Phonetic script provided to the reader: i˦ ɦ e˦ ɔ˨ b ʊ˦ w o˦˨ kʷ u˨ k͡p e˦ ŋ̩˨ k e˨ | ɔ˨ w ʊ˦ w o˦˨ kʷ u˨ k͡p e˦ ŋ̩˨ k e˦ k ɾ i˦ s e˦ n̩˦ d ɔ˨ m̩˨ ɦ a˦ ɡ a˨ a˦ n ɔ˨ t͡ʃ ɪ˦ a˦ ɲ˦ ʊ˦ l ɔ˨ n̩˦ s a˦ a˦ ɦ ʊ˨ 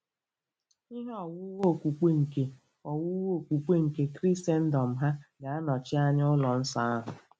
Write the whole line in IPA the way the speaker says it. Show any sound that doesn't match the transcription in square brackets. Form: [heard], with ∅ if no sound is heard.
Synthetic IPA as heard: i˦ ɦ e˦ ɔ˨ [w] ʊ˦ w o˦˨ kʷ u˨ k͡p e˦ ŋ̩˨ k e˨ | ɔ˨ w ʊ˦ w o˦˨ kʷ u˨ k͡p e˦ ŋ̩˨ k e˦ k ɾ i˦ s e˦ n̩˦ d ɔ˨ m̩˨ ɦ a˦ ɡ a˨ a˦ n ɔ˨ t͡ʃ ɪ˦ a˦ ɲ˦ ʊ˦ l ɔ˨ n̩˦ s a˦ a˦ ɦ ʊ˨